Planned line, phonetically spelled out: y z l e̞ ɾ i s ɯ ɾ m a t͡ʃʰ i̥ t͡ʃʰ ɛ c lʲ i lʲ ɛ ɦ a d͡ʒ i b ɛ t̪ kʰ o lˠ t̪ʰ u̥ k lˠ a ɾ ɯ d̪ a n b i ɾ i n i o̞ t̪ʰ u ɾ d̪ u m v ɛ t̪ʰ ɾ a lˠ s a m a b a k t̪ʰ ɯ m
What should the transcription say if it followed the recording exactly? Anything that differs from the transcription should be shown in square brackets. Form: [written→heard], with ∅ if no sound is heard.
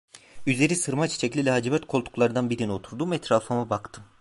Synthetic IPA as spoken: y z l e̞ ɾ i s ɯ ɾ m a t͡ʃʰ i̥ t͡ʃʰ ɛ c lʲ i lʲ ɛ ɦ a d͡ʒ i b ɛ t̪ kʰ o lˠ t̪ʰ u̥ k lˠ a ɾ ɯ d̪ a n b i ɾ i n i o̞ t̪ʰ u ɾ d̪ u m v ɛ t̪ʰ ɾ a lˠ [s→f] a m a b a k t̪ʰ ɯ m